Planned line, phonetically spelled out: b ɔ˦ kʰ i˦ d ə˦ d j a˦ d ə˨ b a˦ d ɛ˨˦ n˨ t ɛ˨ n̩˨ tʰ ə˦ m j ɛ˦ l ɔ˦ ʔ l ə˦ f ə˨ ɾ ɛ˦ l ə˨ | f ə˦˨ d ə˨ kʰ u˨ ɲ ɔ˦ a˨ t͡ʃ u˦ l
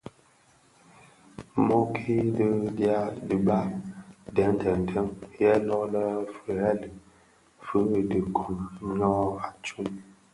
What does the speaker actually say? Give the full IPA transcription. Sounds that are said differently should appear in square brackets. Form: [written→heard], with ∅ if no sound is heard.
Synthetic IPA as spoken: [b→m] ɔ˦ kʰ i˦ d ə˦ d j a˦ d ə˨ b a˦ d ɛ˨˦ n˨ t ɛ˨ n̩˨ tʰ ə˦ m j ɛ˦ l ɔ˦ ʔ l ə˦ f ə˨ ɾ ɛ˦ l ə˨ | f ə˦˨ d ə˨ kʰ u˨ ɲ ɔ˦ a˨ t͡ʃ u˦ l